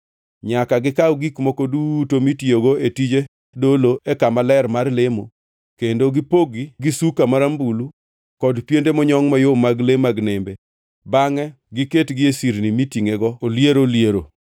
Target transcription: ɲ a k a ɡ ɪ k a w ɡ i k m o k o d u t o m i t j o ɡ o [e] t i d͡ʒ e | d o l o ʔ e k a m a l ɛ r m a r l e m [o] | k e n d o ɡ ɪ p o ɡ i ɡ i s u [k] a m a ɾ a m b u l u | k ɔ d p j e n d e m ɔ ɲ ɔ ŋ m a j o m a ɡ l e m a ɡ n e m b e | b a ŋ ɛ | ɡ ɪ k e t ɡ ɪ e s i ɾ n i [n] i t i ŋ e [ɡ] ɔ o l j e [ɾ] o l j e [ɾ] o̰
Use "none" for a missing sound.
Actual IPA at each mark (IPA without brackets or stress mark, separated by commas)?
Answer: e, o, k, m, ɡ, ɾ, ɾ